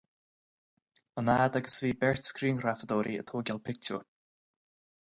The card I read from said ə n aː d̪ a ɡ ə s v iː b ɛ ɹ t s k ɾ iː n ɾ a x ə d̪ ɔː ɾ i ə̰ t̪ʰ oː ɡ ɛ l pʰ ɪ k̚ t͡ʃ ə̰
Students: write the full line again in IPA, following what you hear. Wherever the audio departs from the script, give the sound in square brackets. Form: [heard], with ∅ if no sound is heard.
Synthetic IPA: ə n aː d̪ a ɡ ə s v iː b ɛ ɹ t s k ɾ iː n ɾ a [f] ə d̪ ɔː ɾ i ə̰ t̪ʰ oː ɡ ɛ l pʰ ɪ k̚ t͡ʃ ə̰